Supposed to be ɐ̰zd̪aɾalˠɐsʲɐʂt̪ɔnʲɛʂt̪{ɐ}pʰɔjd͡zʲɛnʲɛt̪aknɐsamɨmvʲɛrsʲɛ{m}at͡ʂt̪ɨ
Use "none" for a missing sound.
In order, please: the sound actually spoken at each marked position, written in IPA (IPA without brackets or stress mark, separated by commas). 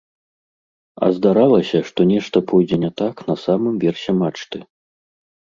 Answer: ɐ, m